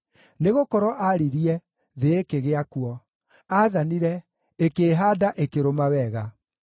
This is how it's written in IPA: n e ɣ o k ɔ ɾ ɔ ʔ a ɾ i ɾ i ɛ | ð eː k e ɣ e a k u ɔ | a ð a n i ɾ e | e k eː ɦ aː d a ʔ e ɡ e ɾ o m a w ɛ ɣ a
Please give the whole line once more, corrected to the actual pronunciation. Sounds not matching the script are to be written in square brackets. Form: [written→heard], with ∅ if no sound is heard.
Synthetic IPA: n e ɣ o k ɔ ɾ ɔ ʔ a ɾ i ɾ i ɛ | ð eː k e ɣ e a k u ɔ | a ð a n i ɾ [e→ɛ] | e k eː ɦ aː d a ʔ e [ɡ→k] e ɾ o m a w ɛ ɣ a

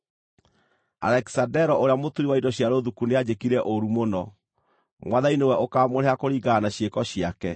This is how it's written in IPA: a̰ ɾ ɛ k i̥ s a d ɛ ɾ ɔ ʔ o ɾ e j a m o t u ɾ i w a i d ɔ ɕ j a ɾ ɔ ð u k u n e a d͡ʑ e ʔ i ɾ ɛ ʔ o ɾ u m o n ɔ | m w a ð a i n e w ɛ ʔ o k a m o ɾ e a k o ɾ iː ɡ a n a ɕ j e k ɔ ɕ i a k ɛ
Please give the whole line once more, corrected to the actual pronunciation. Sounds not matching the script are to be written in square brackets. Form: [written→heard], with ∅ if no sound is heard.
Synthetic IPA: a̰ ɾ ɛ k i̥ s a d ɛ ɾ ɔ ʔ o ɾ e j a m o t u ɾ i w a i d ɔ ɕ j a ɾ [ɔ→o] ð u k u n e a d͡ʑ e [ʔ→k] i ɾ ɛ ʔ o ɾ u m o n ɔ | m w a ð a i n e w ɛ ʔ o k a m o ɾ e a k o ɾ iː ɡ a n a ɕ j e k ɔ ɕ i a k ɛ

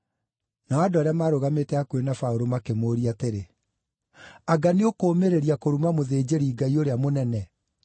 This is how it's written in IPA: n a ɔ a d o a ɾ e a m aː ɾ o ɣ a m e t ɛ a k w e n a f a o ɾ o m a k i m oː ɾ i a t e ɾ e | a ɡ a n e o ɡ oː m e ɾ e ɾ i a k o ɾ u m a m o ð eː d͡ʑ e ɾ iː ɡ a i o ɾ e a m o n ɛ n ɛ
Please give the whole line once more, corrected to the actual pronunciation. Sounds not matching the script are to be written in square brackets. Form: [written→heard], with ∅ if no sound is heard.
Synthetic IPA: n a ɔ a d o a ɾ e a m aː ɾ o ɣ a m e t ɛ a k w e n a f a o ɾ o m a k [i→e] m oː ɾ i a t e ɾ e | a ɡ a n e o [ɡ→k] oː m e ɾ e ɾ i a k o ɾ u m a m o ð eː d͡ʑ e ɾ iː ɡ a i o ɾ e a m o n ɛ n ɛ

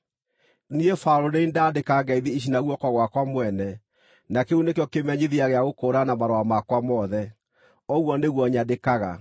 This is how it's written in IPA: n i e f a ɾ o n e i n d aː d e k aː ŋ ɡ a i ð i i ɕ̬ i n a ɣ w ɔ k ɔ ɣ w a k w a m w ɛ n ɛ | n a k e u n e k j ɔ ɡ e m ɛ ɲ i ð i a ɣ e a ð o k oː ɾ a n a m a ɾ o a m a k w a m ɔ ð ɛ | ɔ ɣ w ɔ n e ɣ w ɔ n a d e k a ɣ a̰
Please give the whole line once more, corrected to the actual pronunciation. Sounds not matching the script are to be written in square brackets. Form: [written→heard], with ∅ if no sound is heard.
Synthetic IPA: n i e f a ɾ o n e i n d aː d e k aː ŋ ɡ a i ð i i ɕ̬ i n a ɣ w ɔ k ɔ ɣ w a k w a m w ɛ n ɛ | n a k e u n e k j ɔ [ɡ→k] e m ɛ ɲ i ð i a ɣ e a [ð→ɣ] o k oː ɾ a n a m a ɾ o a m a k w a m ɔ ð ɛ | ɔ ɣ w ɔ n e ɣ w ɔ [n→ɲ] a d e k a ɣ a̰

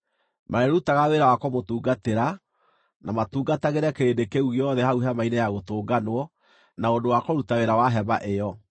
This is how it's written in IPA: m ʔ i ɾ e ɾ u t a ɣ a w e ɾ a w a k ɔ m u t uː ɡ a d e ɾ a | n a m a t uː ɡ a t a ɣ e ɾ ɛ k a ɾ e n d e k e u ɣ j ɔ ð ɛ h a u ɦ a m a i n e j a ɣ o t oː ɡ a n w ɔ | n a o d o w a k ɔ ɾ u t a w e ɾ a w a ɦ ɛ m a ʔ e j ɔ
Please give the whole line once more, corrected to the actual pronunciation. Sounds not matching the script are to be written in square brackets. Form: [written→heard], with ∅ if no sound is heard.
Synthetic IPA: m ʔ [i→a] ɾ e ɾ u t a ɣ a w e ɾ a w a k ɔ m [u→o] t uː ɡ a [d→t] e ɾ a | n a m a t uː ɡ a t a ɣ e ɾ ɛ k [a→e] ɾ e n d e k e u ɣ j ɔ ð ɛ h a u ɦ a m a i n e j a ɣ o t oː ɡ a n w ɔ | n a o d o w a k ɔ ɾ u t a w e ɾ a w a ɦ ɛ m a ʔ e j ɔ

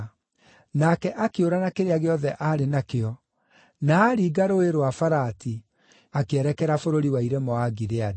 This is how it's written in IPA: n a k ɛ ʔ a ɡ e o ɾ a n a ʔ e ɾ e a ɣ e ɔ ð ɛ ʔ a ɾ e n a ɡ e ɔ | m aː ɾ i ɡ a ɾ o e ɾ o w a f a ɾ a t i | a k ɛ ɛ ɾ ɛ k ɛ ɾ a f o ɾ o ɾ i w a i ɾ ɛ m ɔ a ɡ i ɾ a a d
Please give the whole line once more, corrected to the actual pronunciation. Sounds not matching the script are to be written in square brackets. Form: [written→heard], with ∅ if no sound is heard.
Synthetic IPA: n a k ɛ ʔ a [ɡ→k] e o ɾ a n a [ʔ→k] e ɾ e a ɣ e ɔ ð ɛ ʔ a ɾ e n a [ɡ→k] e ɔ | [m→n] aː ɾ i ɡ a ɾ o e ɾ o w a f a ɾ a t i | a k [ɛ→e] ɛ ɾ ɛ k ɛ ɾ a f o ɾ o ɾ i w a i ɾ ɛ m ɔ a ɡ i ɾ [a→e] a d

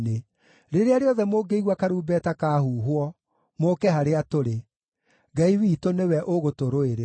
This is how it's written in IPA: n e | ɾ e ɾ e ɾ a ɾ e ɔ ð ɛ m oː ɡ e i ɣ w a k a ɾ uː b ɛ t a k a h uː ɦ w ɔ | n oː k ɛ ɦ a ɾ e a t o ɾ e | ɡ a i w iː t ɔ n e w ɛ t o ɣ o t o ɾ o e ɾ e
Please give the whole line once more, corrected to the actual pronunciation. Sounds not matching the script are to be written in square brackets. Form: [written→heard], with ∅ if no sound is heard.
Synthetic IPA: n e | ɾ e ɾ e [ɾ→∅] a ɾ e ɔ ð ɛ m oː ɡ e i ɣ w a k a ɾ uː b ɛ t a k a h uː ɦ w ɔ | [n→m] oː k ɛ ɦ a ɾ e a t o ɾ e | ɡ a i w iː t [ɔ→o] n e w ɛ [t→ʔ] o ɣ o t o ɾ o e ɾ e

